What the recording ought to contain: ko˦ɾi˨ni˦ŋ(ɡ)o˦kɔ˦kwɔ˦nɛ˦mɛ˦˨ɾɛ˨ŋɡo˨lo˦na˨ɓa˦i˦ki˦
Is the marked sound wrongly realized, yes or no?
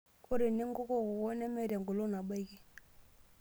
no